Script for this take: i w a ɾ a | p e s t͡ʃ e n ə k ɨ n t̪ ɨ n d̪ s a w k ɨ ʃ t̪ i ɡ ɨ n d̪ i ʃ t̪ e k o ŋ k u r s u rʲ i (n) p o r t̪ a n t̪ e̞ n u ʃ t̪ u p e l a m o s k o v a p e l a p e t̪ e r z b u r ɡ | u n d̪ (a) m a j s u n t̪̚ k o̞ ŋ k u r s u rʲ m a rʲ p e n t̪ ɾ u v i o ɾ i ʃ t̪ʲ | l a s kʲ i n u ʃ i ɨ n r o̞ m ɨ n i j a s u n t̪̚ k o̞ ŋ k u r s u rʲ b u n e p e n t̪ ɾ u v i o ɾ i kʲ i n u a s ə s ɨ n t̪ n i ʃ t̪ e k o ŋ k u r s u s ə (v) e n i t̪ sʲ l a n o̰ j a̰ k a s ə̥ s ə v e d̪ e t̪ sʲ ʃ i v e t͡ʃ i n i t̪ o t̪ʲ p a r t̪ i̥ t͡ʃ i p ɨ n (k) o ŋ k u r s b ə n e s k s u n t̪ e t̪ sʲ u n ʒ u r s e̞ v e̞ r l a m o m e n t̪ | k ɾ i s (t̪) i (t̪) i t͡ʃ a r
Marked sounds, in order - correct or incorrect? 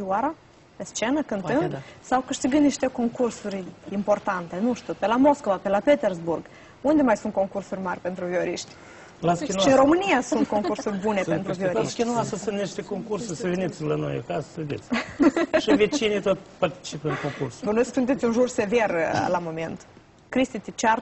incorrect: m, incorrect: e, correct, correct, correct, correct

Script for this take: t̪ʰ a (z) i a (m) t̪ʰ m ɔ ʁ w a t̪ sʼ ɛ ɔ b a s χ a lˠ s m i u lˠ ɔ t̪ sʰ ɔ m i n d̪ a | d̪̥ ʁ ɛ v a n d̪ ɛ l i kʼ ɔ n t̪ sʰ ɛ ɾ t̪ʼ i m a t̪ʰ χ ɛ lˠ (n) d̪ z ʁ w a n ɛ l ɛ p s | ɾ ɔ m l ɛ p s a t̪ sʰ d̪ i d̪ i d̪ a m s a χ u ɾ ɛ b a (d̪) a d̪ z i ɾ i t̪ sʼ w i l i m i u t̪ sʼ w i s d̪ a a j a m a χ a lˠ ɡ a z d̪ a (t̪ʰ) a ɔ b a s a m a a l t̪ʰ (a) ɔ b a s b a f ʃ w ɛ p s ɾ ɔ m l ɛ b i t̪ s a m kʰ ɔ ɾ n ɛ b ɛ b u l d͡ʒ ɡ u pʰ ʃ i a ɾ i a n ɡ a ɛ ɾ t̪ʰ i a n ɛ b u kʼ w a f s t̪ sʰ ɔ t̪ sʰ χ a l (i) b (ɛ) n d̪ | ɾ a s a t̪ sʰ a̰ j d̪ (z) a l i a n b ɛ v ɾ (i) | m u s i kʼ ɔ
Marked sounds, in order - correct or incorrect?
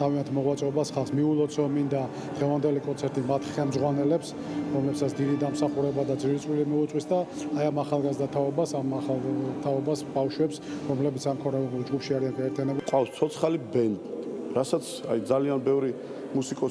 incorrect: v, incorrect: n, incorrect: m, correct, correct, correct, correct, correct, correct, correct

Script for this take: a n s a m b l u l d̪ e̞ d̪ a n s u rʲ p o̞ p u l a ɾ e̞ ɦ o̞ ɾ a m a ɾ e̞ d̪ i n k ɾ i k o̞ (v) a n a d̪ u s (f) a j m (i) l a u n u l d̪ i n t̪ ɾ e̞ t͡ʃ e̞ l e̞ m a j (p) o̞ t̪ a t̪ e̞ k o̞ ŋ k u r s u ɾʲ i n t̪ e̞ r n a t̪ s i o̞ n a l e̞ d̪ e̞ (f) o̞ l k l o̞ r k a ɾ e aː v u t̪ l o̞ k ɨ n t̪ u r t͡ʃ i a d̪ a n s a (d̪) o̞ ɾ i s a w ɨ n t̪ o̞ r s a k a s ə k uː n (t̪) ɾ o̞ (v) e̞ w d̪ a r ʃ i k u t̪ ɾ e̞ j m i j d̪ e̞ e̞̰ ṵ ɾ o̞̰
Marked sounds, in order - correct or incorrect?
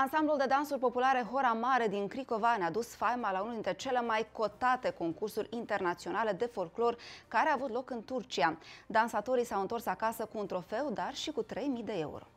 correct, correct, incorrect: a, incorrect: k, correct, incorrect: t̪, correct, incorrect: f

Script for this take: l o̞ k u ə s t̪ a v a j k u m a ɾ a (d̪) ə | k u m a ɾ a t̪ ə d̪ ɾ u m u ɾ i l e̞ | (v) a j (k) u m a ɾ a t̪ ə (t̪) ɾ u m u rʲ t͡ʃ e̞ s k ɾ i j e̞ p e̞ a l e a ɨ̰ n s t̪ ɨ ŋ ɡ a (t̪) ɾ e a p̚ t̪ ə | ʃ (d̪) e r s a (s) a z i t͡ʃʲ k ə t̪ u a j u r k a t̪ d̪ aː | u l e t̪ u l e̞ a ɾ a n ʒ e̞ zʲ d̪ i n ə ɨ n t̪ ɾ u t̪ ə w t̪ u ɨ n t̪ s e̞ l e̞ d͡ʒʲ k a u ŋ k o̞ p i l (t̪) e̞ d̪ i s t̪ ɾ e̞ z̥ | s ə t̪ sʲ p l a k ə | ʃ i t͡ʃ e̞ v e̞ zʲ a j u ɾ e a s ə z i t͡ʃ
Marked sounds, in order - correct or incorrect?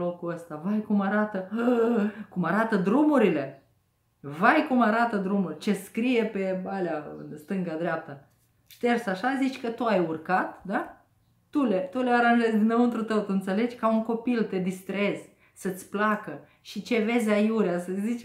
incorrect: t̪, correct, correct, incorrect: d̪, incorrect: d̪, incorrect: t̪, incorrect: ʃ, correct

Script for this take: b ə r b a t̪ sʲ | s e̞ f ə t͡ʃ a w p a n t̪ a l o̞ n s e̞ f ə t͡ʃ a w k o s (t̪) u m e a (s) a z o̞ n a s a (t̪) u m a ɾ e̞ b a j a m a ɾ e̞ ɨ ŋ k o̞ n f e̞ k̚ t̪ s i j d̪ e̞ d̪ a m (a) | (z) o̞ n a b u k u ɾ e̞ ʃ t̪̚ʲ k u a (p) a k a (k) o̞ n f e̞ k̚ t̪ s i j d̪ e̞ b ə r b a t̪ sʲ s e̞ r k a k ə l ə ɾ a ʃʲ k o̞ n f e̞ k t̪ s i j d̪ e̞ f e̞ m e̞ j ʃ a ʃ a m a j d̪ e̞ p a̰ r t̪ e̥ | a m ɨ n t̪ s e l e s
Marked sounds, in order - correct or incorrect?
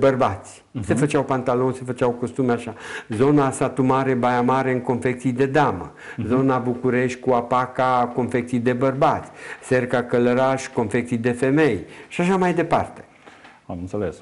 correct, incorrect: ʃ, correct, incorrect: ə, correct, correct, correct

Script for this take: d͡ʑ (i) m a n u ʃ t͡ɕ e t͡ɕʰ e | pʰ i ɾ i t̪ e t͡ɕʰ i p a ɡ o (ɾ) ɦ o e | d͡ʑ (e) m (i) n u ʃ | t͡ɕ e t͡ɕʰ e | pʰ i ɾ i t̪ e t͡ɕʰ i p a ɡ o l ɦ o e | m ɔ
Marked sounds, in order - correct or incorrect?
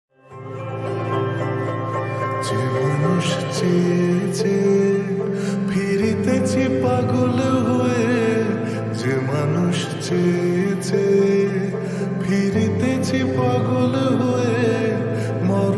incorrect: e, incorrect: l, correct, incorrect: a

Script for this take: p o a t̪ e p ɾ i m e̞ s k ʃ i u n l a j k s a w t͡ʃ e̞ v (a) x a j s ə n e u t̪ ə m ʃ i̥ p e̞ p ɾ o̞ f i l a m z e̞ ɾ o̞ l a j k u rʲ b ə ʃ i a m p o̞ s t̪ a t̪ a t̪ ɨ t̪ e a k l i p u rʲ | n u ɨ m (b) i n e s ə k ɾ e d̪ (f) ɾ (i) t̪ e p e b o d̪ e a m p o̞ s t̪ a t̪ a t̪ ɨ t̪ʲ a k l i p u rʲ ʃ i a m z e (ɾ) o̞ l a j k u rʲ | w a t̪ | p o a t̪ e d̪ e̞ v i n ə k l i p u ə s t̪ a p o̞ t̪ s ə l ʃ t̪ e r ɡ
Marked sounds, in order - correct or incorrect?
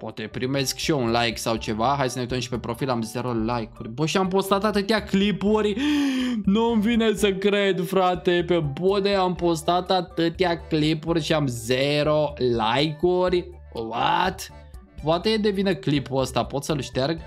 correct, incorrect: v, correct, incorrect: a, correct

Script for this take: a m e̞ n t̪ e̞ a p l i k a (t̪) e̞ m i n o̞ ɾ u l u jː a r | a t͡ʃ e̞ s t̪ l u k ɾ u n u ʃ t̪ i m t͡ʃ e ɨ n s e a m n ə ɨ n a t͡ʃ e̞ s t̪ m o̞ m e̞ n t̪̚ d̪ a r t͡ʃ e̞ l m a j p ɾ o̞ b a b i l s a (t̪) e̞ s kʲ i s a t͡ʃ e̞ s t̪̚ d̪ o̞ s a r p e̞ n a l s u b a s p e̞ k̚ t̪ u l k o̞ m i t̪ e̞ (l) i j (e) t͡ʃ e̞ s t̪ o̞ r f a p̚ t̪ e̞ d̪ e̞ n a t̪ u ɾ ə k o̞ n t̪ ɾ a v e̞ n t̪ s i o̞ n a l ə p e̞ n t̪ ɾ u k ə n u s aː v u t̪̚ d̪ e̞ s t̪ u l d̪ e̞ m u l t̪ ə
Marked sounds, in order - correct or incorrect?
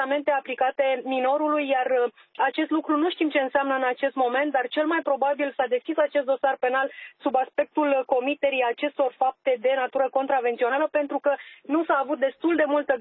correct, incorrect: d̪, incorrect: ɾ, incorrect: a

